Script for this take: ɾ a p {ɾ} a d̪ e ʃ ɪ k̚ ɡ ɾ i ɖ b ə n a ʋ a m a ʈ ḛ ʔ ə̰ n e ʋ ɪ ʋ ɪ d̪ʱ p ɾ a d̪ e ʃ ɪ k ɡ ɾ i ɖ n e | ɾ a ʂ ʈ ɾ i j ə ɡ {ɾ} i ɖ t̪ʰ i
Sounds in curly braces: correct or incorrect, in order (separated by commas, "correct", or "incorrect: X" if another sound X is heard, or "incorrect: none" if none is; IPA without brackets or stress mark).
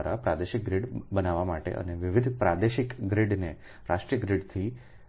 correct, correct